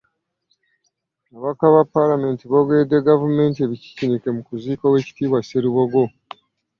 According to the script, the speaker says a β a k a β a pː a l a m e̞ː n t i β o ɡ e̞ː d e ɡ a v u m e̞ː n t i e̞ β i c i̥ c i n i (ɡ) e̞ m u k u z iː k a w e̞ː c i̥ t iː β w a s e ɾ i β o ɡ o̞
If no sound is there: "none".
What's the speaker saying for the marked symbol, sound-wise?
k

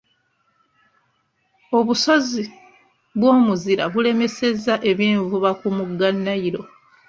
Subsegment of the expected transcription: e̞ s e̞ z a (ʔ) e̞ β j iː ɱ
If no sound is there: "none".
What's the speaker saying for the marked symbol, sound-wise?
ʔ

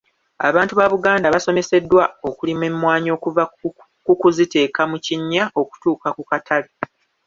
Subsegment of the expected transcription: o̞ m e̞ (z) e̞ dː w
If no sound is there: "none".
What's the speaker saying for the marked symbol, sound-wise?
s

